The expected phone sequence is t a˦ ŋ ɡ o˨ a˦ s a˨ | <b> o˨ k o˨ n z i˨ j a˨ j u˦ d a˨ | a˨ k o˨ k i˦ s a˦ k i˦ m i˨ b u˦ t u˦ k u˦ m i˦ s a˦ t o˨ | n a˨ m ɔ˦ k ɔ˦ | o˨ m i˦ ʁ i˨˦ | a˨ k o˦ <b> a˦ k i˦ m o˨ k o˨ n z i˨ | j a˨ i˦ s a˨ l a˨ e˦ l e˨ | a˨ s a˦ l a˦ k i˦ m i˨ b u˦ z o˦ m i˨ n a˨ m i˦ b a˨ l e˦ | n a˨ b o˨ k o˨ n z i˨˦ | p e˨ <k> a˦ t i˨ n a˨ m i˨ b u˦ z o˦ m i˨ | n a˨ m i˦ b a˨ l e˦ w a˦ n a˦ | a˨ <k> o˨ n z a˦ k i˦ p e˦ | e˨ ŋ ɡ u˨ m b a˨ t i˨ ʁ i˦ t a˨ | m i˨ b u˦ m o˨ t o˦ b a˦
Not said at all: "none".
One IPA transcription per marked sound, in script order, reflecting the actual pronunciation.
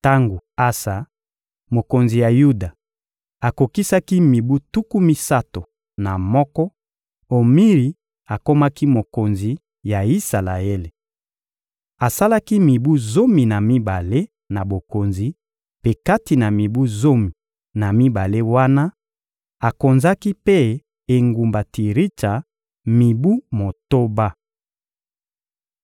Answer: m, m, k, k

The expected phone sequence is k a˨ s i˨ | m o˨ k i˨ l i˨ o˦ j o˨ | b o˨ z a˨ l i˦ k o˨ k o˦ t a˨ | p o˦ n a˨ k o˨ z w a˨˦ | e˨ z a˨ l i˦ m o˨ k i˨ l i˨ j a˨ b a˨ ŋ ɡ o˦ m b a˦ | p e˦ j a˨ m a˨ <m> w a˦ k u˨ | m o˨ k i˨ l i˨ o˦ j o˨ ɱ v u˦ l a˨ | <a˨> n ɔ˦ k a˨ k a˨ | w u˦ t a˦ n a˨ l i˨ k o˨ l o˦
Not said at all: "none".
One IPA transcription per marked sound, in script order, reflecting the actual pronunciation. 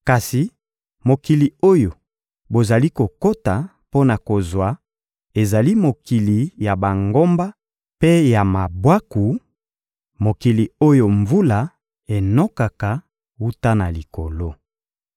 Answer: b, e˨

